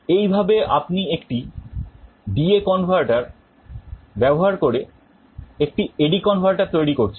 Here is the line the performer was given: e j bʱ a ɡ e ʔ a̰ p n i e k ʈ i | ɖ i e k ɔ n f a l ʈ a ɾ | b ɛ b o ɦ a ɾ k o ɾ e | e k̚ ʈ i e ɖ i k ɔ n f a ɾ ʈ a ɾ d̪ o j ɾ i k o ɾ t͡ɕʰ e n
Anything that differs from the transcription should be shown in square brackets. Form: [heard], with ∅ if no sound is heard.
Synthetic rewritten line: e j bʱ a [b] e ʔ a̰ p n i e k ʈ i | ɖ i e k ɔ n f a [ɾ] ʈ a ɾ | b ɛ b o ɦ a ɾ k o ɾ e | e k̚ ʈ i e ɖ i k ɔ n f a ɾ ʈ a ɾ [t̪] o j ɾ i k o ɾ t͡ɕʰ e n